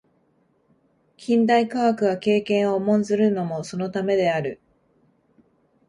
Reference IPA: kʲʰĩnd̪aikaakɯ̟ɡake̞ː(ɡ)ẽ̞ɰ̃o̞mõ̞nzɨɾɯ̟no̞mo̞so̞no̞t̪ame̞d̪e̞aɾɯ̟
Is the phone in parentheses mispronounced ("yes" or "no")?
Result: yes